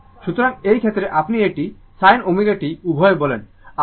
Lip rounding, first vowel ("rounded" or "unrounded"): rounded